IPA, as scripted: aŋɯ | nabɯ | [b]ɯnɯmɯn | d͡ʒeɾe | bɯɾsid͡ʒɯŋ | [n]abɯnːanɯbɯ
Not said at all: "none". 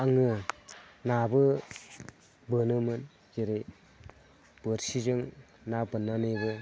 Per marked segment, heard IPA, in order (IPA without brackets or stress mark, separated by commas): b, n